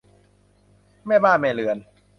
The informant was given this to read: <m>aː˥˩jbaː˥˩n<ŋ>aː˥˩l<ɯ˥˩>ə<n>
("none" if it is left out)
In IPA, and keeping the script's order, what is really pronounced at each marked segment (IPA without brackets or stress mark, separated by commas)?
m, m, ɯ˨˩, n